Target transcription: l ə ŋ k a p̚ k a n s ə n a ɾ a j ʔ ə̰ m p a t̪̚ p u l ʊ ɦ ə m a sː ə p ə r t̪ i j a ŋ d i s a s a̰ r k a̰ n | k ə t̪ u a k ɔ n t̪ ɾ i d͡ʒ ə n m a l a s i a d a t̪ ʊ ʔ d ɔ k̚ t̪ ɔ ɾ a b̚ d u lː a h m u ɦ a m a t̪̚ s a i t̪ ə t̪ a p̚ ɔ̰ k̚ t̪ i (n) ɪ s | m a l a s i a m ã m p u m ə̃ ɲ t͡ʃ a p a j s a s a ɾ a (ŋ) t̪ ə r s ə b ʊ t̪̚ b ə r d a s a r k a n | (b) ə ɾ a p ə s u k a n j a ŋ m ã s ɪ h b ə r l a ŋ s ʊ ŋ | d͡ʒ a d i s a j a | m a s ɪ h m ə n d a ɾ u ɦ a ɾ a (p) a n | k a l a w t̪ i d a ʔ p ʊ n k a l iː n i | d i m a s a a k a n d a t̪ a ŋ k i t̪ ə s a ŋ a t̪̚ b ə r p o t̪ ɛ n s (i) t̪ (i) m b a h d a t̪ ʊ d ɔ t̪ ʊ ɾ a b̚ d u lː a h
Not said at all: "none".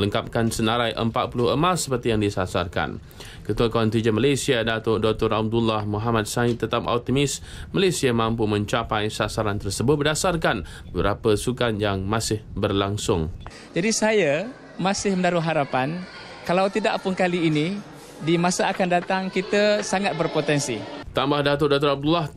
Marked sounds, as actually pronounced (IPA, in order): m, n, b, p, i, a

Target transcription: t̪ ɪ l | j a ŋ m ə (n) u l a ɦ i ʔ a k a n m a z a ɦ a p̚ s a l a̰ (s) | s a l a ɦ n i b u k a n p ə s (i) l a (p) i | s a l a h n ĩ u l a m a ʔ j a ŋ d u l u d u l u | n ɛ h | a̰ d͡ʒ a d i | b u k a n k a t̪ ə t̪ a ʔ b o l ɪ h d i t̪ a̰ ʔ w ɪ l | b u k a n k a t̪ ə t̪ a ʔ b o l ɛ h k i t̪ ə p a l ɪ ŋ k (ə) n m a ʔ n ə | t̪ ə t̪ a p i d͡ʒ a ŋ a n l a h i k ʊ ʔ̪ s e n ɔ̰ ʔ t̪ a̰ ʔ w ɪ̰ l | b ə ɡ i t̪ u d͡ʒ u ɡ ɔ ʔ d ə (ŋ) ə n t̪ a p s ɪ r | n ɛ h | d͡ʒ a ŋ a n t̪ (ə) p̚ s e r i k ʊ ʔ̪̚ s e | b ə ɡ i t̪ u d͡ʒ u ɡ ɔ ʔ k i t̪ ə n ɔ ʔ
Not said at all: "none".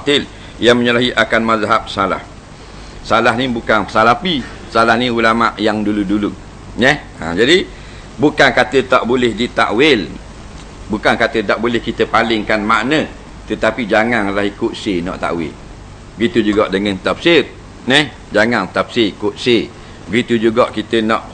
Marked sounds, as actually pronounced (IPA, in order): ɲ, h, a, p, a, ŋ, a

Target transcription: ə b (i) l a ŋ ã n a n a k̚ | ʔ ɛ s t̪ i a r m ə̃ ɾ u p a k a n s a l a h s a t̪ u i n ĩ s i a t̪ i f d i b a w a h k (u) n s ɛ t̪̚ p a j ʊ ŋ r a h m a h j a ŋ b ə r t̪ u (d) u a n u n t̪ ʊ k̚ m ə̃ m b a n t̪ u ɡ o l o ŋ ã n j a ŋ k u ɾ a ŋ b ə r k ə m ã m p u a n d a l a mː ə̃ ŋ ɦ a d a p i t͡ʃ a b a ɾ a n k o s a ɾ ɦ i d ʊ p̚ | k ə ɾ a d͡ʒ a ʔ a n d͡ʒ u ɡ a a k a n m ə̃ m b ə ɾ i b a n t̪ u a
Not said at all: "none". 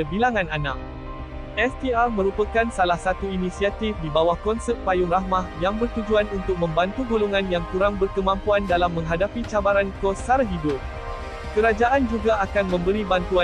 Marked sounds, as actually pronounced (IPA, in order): i, ɔ, d͡ʒ

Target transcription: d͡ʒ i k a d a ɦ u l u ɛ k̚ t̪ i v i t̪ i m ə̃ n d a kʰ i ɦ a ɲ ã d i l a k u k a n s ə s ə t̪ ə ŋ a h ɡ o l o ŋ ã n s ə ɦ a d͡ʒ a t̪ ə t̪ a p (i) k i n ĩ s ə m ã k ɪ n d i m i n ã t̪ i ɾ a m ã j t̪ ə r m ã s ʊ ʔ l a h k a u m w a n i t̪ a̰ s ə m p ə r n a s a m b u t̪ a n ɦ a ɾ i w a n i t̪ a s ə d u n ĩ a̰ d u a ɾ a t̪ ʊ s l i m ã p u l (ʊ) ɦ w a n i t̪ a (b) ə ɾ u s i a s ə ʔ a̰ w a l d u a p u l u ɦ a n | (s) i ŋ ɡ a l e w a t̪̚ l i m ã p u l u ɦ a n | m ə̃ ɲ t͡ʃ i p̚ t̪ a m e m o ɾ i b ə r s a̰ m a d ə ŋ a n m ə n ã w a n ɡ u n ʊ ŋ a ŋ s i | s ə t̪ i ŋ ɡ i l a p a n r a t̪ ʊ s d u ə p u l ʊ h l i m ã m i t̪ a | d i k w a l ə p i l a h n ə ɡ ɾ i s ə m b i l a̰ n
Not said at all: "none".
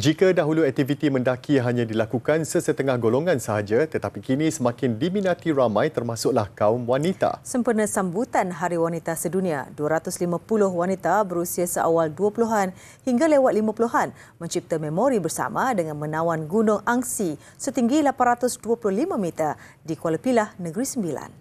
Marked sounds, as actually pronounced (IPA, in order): i, ʊ, b, h

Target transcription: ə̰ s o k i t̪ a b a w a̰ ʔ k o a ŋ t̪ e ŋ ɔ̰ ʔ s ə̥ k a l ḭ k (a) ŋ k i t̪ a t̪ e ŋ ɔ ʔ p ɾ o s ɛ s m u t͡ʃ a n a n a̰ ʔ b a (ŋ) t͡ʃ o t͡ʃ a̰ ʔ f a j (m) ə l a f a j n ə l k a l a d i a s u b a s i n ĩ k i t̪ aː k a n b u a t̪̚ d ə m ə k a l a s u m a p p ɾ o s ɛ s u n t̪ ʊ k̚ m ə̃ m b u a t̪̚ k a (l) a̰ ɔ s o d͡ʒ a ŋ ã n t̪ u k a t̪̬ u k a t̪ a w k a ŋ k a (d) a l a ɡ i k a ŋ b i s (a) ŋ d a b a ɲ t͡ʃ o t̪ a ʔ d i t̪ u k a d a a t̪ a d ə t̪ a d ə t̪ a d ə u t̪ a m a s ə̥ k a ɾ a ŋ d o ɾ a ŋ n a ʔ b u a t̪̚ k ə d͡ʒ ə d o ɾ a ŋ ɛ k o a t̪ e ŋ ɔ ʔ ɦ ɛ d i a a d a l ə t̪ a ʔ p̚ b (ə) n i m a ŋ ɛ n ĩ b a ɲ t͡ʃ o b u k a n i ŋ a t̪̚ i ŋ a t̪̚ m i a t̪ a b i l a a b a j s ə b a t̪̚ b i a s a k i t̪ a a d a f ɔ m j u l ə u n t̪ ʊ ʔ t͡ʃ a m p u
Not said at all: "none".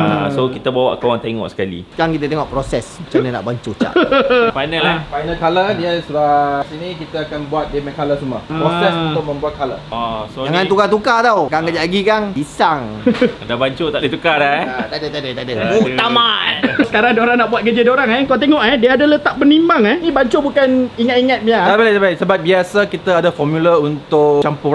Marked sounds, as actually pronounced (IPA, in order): a, ɲ, n, l, d͡ʒ, a, ə

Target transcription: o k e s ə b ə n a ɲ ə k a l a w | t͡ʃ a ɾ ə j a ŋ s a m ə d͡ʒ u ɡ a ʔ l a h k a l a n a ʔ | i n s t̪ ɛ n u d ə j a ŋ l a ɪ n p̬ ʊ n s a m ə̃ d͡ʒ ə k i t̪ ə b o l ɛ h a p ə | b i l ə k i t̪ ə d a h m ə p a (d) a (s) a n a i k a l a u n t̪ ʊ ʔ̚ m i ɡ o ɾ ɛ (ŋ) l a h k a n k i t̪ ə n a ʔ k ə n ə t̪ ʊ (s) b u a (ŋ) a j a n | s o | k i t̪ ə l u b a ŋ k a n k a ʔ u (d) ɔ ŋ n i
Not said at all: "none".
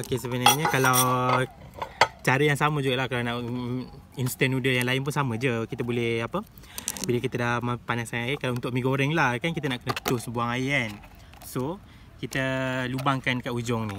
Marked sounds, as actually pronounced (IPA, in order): n, s, ŋ, s, ŋ, d͡ʒ

